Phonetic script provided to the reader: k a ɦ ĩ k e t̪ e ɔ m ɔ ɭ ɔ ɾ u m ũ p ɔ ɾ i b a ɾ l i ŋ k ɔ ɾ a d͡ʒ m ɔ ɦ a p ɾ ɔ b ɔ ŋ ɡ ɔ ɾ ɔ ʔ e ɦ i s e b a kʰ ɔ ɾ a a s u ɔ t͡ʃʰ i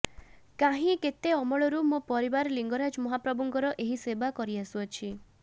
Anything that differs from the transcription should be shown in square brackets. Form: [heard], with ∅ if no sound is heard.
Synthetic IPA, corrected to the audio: k a ɦ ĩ k e t̪ e ɔ m ɔ ɭ ɔ ɾ u m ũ p ɔ ɾ i b a ɾ l i ŋ [ɡ] ɔ ɾ a d͡ʒ m ɔ ɦ a p ɾ ɔ b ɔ ŋ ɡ ɔ ɾ ɔ ʔ e ɦ i s e b a [k] ɔ ɾ [i] a s u ɔ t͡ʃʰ i